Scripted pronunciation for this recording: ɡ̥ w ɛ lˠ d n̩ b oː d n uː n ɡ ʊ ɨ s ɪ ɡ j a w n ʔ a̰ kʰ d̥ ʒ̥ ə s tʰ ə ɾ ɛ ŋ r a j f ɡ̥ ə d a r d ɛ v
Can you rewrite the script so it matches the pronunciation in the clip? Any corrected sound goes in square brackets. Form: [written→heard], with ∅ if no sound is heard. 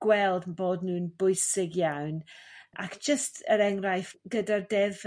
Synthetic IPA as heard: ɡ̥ w ɛ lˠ d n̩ b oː d n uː n [ɡ→b] ʊ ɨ s ɪ ɡ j a w n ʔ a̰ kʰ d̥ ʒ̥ ə s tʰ ə ɾ ɛ ŋ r a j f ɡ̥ ə d a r d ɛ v